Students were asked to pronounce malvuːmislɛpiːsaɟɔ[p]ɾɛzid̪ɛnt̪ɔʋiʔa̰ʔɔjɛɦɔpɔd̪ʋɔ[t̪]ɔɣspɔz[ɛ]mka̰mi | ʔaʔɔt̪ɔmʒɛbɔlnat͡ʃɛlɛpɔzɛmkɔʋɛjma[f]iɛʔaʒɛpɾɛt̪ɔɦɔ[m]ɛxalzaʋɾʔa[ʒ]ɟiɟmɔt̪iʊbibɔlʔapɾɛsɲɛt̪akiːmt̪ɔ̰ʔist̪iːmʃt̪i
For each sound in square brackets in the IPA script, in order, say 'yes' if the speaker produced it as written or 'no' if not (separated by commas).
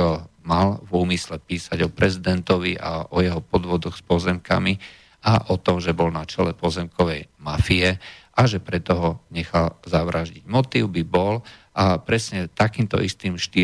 yes, no, yes, yes, no, yes